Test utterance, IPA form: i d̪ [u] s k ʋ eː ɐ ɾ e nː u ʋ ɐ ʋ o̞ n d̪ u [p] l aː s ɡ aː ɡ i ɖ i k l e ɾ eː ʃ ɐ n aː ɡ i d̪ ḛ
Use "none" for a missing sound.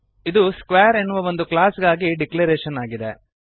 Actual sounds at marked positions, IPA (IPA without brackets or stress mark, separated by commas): u, k